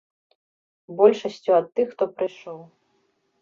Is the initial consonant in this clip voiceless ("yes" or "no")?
no